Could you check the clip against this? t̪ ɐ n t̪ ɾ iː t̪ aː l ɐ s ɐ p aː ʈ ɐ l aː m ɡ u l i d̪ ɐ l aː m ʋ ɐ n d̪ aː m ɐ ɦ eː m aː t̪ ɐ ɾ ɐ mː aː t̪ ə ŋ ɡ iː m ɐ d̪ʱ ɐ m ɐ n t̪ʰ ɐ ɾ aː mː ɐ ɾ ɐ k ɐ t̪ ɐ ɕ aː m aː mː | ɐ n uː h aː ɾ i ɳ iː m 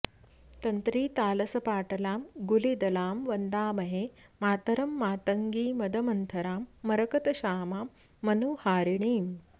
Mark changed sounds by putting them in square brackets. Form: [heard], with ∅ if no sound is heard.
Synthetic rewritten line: t̪ ɐ n t̪ ɾ iː t̪ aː l ɐ s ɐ p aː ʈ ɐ l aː m ɡ u l i d̪ ɐ l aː m ʋ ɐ n d̪ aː m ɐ ɦ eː m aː t̪ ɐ ɾ ɐ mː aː t̪ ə ŋ ɡ iː m ɐ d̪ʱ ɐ m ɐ n t̪ʰ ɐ ɾ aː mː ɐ ɾ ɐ k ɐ t̪ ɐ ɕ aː m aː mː | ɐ n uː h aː ɾ i ɳ iː m